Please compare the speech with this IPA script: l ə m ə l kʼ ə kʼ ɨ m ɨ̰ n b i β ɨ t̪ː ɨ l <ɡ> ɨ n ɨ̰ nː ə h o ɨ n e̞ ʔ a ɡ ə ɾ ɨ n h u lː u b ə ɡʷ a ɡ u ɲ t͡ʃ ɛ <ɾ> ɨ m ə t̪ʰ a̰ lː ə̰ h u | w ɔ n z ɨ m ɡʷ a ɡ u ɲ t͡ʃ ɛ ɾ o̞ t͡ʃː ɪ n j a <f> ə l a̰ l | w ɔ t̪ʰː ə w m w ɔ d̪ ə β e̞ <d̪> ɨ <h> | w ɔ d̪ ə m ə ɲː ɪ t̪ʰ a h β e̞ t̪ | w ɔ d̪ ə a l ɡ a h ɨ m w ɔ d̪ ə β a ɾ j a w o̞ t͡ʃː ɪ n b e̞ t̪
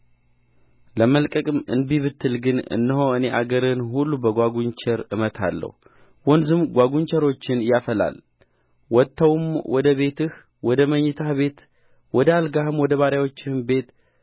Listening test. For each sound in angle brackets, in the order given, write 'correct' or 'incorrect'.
correct, correct, correct, incorrect: t̪, correct

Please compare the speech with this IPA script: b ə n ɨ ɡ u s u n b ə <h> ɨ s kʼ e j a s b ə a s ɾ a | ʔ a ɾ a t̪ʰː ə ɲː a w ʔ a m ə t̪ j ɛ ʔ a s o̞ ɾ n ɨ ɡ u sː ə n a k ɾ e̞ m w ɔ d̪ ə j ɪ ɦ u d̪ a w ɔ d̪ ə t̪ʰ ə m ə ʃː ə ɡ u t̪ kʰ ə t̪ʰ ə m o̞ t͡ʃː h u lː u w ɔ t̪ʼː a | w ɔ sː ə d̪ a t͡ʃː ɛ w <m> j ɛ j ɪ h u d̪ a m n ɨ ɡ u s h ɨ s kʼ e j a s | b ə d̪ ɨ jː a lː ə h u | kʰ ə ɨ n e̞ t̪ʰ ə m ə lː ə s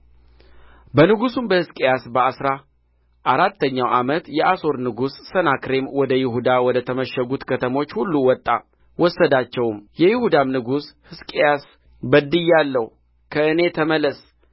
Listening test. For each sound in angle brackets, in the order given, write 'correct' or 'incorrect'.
correct, correct

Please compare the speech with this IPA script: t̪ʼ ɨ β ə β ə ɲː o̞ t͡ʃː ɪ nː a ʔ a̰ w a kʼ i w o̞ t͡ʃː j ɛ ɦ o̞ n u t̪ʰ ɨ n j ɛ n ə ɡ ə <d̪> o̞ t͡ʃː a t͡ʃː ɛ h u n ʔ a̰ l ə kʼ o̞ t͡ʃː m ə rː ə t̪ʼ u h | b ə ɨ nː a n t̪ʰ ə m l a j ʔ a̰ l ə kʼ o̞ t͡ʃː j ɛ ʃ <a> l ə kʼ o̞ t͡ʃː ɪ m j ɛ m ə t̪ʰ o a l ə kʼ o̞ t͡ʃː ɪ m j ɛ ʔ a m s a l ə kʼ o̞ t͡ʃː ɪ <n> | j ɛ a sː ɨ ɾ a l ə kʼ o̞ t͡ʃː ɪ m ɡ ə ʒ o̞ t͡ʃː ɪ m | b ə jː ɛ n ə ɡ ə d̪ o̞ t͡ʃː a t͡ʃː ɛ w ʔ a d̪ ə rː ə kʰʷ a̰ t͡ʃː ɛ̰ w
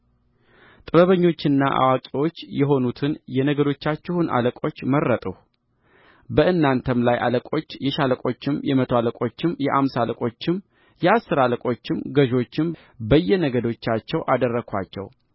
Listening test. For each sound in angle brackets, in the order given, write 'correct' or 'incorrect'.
correct, correct, incorrect: m

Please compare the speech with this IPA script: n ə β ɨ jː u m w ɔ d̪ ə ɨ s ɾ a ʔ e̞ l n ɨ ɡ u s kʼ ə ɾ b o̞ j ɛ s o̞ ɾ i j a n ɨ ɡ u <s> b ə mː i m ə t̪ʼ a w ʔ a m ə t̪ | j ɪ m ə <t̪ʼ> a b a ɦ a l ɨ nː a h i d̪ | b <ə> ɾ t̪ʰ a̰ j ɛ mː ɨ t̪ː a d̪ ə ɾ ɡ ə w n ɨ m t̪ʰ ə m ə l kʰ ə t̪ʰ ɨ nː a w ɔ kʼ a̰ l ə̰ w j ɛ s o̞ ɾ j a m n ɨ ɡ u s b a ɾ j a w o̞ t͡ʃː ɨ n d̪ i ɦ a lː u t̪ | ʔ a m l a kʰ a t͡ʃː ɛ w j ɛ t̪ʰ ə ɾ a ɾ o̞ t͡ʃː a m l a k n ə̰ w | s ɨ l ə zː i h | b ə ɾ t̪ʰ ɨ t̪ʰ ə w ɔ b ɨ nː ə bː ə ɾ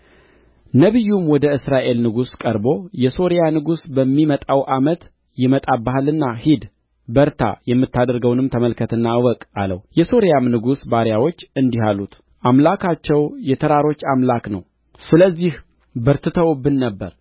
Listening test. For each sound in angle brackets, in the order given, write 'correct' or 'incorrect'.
correct, correct, correct

